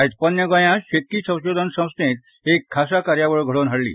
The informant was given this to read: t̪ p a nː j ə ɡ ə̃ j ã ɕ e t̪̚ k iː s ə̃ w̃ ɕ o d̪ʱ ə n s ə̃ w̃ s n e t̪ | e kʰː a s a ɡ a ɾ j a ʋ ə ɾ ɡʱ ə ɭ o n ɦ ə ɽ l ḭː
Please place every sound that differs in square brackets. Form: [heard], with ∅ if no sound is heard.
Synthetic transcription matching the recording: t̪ p [ə] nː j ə ɡ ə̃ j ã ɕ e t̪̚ k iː s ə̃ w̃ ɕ o d̪ʱ ə n s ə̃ w̃ s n e t̪ | e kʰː a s a [k] a ɾ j a ʋ ə [ɭ] ɡʱ ə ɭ o n ɦ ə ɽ l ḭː